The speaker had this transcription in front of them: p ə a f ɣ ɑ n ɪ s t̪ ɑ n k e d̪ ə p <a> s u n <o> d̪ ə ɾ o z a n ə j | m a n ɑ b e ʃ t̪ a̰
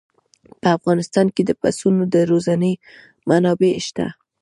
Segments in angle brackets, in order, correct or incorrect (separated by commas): correct, correct